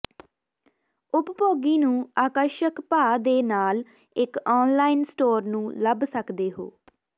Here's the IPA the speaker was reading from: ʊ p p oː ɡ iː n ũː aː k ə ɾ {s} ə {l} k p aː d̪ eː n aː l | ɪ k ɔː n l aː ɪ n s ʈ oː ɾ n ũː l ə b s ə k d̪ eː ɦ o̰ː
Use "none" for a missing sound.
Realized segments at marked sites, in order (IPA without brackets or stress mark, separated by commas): ʃ, none